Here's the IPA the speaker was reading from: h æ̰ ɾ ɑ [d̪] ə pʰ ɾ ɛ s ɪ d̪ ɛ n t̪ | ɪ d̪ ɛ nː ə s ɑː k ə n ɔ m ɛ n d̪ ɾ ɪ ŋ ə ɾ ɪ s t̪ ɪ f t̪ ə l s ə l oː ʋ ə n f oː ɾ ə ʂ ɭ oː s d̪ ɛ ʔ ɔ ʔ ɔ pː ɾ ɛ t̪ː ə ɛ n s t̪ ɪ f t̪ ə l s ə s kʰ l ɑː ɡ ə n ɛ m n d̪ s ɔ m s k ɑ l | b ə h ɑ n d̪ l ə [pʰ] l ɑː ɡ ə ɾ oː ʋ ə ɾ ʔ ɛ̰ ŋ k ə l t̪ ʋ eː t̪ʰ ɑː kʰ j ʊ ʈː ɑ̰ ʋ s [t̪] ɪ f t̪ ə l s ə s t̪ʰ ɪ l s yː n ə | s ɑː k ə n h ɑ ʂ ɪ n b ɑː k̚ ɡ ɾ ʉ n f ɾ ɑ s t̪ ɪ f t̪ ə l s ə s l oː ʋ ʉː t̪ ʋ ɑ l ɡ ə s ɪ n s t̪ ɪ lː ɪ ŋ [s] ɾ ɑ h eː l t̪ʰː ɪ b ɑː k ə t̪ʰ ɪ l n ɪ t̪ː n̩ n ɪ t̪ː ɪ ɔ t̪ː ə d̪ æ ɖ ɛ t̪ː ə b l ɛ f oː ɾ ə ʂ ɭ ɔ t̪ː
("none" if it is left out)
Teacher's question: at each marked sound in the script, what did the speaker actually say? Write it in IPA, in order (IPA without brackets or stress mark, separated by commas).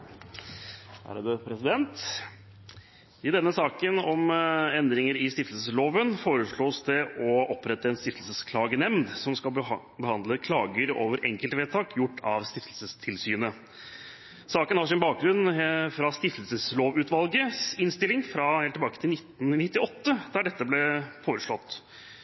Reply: d̪, kʰ, t̪, f